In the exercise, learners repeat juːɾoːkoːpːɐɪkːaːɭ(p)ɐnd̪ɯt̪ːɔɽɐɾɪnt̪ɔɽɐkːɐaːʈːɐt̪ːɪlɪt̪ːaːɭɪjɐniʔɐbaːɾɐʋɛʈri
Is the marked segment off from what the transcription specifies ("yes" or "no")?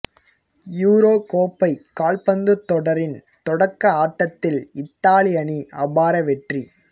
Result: no